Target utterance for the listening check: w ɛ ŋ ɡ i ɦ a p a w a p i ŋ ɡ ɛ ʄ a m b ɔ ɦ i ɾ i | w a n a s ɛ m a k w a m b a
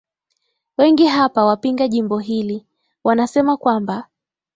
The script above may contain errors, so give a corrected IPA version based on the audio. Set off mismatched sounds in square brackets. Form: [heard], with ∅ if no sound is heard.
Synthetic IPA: w ɛ ŋ ɡ i ɦ a p a w a p i ŋ ɡ [a] ʄ [i] m b ɔ ɦ i [l] i | w a n a s ɛ m a k w a m b a